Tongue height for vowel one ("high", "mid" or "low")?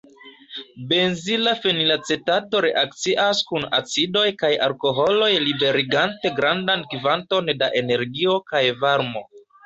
mid